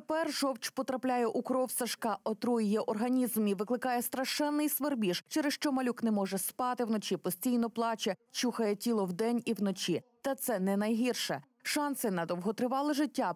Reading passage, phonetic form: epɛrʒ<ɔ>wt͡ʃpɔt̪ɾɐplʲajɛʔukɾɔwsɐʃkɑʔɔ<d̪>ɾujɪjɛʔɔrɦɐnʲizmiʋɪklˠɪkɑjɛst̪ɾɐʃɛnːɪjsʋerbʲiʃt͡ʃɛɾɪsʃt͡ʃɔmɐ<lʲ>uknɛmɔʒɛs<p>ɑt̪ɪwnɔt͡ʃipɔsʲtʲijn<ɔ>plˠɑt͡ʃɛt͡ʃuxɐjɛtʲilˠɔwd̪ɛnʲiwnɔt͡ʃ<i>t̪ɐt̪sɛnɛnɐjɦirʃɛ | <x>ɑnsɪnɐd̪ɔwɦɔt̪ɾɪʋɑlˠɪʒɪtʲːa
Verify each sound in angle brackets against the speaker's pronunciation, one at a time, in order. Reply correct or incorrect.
correct, incorrect, correct, correct, correct, correct, incorrect

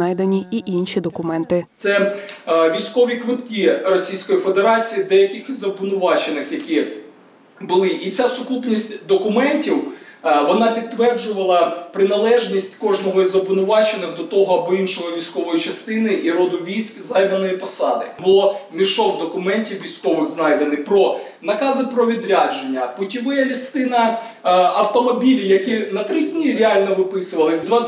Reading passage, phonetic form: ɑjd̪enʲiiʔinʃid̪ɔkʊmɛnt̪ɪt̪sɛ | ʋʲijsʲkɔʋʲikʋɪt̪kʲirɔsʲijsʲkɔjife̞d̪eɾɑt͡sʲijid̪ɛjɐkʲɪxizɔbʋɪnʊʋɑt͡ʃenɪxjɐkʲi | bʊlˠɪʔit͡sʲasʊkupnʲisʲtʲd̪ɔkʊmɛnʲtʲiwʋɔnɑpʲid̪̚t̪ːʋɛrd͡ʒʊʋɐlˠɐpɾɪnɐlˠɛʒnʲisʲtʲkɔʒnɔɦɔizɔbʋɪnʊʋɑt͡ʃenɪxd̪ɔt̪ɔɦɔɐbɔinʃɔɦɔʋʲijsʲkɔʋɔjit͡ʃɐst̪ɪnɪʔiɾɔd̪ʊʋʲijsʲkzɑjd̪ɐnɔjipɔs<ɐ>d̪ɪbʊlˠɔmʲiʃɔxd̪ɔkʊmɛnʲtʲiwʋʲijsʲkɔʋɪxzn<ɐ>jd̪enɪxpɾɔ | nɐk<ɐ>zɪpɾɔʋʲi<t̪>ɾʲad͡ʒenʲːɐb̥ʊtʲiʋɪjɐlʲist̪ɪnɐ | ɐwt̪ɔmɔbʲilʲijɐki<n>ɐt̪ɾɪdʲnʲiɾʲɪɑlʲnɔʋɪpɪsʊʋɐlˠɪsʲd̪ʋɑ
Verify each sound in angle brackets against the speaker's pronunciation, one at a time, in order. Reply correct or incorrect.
incorrect, incorrect, incorrect, incorrect, correct

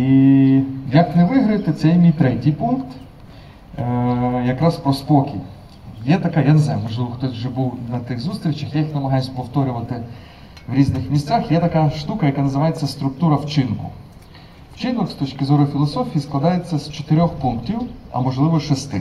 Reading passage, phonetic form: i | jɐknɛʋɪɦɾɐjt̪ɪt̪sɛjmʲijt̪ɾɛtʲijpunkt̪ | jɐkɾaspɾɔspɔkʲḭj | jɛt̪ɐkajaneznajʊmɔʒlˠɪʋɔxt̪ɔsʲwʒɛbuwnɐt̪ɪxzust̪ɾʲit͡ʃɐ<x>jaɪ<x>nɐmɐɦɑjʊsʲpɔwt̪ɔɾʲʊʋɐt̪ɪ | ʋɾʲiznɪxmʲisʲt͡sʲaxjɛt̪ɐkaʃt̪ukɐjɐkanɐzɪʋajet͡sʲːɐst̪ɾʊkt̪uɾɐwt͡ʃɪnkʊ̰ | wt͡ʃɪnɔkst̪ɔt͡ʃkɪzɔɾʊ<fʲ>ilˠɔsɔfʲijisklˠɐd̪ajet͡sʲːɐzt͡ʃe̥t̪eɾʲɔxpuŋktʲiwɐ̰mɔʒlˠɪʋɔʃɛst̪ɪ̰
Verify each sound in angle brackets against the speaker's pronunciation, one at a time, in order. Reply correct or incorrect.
correct, correct, correct

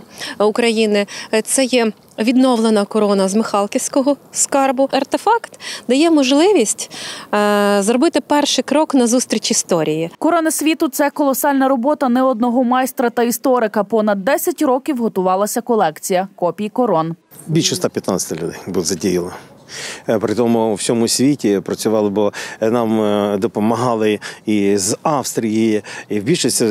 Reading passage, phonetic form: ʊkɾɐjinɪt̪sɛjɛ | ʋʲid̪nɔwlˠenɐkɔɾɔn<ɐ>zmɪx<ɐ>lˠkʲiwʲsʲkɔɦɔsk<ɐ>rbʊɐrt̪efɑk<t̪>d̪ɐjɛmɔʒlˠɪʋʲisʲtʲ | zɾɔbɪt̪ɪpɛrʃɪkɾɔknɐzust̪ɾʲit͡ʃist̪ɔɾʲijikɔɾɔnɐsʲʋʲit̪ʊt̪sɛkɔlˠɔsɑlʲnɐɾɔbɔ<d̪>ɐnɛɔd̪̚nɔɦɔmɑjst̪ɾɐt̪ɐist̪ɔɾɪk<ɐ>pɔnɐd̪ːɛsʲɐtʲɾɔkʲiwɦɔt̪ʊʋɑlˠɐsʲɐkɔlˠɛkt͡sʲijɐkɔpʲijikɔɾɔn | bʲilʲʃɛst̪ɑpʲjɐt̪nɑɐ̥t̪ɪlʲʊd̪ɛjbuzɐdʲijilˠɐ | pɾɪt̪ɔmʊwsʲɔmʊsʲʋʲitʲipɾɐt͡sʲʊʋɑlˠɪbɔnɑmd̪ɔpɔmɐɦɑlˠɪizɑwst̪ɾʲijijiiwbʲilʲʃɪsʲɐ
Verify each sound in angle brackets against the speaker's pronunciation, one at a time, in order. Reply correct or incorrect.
correct, incorrect, incorrect, correct, incorrect, correct

